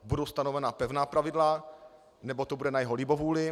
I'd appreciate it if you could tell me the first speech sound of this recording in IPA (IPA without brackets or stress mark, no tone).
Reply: b